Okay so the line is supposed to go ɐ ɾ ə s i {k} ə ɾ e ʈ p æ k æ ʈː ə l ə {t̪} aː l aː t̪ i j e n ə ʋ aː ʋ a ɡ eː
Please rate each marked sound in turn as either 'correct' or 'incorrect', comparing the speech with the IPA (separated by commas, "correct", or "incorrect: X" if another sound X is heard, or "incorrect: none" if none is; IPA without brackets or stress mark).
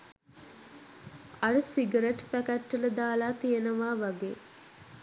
incorrect: ɡ, incorrect: d̪